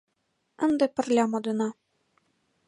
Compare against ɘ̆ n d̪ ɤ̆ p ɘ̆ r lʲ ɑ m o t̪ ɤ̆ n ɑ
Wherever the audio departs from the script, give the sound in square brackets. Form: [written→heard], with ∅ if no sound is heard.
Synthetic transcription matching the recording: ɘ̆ n d̪ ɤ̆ p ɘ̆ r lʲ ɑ m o [t̪→d̪] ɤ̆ n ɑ